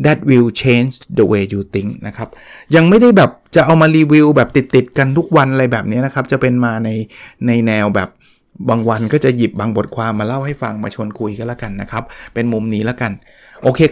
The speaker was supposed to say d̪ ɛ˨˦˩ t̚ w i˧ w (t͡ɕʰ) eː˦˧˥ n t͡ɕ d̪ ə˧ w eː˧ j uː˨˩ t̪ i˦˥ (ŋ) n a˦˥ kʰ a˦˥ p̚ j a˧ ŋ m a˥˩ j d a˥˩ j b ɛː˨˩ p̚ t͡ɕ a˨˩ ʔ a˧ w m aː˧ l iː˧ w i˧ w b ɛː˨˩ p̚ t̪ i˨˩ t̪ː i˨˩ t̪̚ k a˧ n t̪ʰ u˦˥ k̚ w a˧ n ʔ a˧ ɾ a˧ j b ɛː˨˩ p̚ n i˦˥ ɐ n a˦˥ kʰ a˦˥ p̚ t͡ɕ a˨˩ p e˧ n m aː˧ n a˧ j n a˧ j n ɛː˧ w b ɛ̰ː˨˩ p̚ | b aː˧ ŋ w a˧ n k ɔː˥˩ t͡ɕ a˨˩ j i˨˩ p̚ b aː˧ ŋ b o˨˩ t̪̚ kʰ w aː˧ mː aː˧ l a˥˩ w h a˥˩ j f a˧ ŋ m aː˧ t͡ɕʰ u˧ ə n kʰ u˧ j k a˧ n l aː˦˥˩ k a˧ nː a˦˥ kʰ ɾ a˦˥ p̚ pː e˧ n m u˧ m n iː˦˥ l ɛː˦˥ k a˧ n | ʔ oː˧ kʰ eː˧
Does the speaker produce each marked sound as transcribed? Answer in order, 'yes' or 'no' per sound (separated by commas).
yes, yes